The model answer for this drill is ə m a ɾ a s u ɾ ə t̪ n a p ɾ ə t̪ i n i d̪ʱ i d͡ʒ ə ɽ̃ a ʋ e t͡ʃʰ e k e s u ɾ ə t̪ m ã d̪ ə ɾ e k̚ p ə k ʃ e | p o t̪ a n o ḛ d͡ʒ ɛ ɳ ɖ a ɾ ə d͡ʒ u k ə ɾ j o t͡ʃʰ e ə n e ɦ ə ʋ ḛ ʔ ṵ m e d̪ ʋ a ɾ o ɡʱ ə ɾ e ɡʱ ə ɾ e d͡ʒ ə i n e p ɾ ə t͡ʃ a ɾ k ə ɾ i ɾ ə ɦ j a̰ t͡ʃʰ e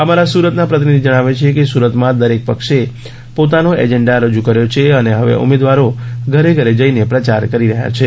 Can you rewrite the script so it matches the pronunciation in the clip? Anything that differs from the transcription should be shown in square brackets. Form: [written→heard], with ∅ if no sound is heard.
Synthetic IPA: ə m a ɾ a s u ɾ ə t̪ n a p ɾ ə t̪ i n i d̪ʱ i d͡ʒ ə ɽ̃ a ʋ e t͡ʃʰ e k e s u ɾ ə t̪ m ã d̪ ə ɾ e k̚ p ə k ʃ e | p o t̪ a n o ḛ d͡ʒ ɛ ɳ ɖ a ɾ ə d͡ʒ u k ə ɾ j o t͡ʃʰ e ə n e ɦ ə ʋ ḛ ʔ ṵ m e d̪ ʋ a ɾ o ɡʱ ə ɾ e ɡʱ ə ɾ e d͡ʒ ə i n e p ɾ ə t͡ʃ a ɾ k ə ɾ i ɾ ə ɦ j a̰ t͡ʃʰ e

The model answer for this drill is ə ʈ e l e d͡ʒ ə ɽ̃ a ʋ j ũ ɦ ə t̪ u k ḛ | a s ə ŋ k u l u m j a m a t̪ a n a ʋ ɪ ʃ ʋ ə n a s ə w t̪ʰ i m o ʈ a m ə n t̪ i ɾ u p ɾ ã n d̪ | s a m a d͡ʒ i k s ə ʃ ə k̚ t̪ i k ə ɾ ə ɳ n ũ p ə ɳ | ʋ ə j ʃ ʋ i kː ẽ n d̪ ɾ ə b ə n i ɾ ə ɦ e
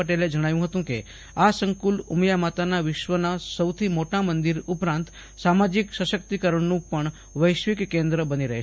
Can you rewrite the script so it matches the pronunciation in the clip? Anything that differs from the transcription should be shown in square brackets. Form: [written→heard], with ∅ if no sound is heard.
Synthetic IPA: ə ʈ e l e d͡ʒ ə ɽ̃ a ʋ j ũ ɦ ə t̪ [u→ũ] k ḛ | a s ə ŋ k u l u m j a m a t̪ a n a ʋ ɪ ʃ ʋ ə n a s ə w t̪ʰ i m o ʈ a m ə n [t̪→d̪] i ɾ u p ɾ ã n [d̪→t̪] | s a m a d͡ʒ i k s ə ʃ ə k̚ t̪ i k ə ɾ ə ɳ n ũ p ə ɳ | ʋ ə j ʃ ʋ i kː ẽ n d̪ ɾ ə b ə n i ɾ ə ɦ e

